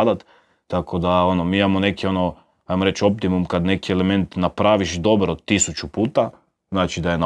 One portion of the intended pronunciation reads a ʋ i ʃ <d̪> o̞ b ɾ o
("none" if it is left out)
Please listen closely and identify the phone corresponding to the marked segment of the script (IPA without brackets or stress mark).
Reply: d̪